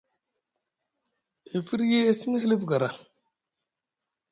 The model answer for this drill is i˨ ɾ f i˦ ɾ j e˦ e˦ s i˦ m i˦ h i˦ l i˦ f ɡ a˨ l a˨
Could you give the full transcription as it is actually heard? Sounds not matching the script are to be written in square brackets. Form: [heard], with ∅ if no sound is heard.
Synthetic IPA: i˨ [∅] f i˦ ɾ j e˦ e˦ s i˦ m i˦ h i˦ l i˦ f ɡ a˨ [ɾ] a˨